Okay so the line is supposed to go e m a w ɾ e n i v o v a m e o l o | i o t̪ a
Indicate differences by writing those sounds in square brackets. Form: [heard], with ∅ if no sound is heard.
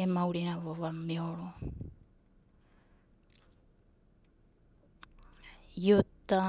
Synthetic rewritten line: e m a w ɾ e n [a] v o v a m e o [ɾ] o | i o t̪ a